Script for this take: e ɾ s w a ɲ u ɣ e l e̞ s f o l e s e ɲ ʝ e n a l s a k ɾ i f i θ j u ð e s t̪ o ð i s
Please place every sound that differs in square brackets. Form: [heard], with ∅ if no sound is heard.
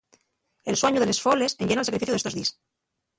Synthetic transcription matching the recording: e [l] s w a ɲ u [ð] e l e̞ s f o l e s e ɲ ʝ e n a l s a k ɾ i f i θ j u ð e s t̪ o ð i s